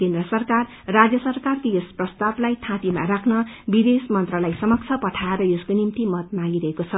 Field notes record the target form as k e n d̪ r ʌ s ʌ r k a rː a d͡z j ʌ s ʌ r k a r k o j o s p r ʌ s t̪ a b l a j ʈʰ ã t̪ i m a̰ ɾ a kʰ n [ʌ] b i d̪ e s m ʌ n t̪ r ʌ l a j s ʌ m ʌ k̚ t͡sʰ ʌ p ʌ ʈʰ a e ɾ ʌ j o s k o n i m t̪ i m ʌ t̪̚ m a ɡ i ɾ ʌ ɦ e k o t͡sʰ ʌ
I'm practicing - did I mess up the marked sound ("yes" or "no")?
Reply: no